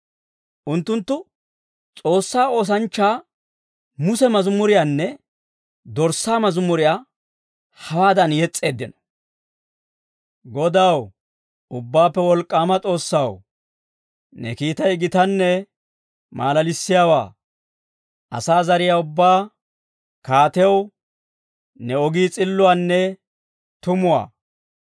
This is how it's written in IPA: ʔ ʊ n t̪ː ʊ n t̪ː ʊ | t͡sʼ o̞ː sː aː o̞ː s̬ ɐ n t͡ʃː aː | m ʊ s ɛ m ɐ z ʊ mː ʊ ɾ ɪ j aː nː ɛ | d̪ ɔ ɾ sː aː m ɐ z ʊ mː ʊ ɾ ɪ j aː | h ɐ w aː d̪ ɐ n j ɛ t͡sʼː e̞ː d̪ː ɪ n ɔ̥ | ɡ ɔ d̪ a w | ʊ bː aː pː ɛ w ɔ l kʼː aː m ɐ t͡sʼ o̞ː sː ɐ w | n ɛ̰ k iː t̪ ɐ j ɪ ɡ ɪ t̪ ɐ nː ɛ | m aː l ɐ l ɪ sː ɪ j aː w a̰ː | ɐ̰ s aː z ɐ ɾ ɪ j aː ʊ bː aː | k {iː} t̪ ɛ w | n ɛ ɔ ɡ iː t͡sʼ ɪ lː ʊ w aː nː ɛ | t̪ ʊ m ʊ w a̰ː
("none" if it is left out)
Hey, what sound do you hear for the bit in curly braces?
aː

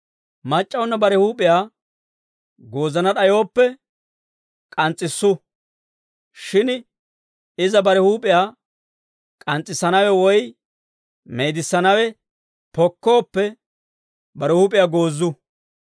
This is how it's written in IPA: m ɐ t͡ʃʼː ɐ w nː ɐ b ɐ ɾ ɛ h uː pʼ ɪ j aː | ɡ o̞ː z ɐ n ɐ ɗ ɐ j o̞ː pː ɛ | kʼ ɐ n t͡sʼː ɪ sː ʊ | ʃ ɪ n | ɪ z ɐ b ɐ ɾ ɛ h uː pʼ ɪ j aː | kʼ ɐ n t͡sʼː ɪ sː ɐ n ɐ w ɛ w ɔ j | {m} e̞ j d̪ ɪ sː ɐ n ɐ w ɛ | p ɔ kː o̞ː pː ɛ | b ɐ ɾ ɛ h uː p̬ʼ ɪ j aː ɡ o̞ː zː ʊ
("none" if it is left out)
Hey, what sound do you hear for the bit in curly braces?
m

